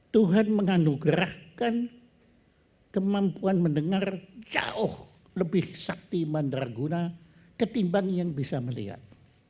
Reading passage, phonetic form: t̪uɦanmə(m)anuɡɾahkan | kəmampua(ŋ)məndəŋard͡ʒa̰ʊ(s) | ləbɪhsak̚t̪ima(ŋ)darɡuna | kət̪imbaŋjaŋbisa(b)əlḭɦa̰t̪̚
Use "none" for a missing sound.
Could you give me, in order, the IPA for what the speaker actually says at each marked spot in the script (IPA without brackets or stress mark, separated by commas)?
ŋ, n, h, n, m